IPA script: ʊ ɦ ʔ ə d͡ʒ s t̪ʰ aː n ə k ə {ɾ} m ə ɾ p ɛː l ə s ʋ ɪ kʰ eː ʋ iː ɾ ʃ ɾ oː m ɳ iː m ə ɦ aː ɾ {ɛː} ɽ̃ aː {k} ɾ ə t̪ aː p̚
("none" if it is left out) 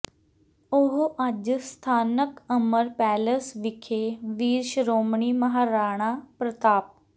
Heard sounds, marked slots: none, aː, p

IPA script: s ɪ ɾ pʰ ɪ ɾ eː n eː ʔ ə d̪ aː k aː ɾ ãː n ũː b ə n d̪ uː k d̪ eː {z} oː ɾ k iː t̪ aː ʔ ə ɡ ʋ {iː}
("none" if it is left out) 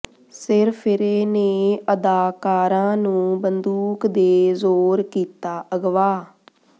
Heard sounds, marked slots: z, aː

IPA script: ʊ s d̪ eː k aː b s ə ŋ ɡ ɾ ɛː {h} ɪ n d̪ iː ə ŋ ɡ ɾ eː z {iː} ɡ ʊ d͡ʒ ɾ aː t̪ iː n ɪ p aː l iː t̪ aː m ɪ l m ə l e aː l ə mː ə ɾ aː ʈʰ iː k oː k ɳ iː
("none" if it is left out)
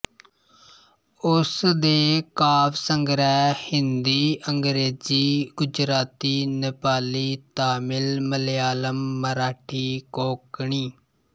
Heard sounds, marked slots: h, iː

